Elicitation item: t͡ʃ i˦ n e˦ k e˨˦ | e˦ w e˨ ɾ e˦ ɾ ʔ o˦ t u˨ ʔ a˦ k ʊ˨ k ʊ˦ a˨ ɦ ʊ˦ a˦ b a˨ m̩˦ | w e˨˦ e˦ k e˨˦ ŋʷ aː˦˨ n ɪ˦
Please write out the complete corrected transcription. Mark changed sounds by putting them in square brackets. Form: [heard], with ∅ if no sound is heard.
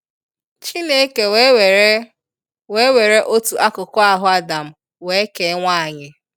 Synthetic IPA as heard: t͡ʃ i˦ n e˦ k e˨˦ | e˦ w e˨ ɾ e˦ [∅] ʔ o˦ t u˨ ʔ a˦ k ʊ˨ k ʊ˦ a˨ ɦ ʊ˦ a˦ [d] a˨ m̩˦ | w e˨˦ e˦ k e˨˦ ŋʷ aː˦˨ [ɲ] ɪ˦

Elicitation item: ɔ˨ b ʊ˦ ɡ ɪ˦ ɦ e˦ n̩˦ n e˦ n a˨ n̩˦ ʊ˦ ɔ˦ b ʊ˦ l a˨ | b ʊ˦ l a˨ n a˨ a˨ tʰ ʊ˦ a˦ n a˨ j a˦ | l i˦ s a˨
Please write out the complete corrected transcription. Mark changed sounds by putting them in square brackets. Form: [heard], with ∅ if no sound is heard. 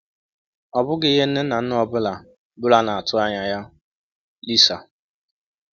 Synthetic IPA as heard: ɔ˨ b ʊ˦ ɡ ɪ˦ ɦ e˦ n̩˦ n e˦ n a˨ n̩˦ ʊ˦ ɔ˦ b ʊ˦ l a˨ | b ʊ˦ l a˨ n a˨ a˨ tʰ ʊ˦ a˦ [ɲ] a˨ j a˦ | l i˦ s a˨

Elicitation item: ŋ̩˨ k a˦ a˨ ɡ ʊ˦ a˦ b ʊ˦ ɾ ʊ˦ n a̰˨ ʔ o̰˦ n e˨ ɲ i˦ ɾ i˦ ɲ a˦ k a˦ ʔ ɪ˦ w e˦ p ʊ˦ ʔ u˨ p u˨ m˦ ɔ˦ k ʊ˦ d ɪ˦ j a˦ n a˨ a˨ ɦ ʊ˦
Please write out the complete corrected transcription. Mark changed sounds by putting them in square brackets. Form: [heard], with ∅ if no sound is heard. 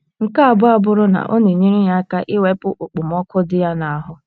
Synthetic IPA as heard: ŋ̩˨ k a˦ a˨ [b] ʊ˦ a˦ b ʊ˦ ɾ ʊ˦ n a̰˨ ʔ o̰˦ n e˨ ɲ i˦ ɾ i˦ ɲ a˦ k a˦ ʔ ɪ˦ w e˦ p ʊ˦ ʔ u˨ [k͡p] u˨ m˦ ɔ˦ k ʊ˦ d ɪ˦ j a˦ n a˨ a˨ ɦ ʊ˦

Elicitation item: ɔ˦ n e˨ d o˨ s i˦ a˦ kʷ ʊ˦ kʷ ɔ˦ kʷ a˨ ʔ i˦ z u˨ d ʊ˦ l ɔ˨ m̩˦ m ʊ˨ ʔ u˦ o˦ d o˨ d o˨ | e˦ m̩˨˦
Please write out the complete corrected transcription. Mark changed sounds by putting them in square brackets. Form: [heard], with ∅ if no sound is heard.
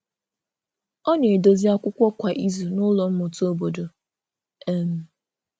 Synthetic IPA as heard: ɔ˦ n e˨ d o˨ [z] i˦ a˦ kʷ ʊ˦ kʷ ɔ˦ kʷ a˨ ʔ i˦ z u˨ [n] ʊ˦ l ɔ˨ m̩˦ m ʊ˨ [t] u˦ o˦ [b] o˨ d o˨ | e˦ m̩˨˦

